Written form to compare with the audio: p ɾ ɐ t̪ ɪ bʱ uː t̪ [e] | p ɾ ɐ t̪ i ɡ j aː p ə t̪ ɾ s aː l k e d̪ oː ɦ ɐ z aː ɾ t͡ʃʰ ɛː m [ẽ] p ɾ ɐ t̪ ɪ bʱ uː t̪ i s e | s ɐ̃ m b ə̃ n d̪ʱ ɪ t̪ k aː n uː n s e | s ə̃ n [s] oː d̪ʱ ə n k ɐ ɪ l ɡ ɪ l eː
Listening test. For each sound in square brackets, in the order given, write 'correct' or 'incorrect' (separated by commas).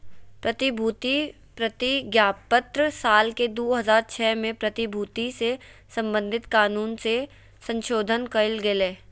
incorrect, correct, incorrect